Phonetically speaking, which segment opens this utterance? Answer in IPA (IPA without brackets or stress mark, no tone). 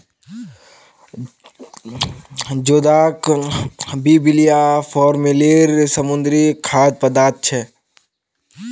d͡ʒ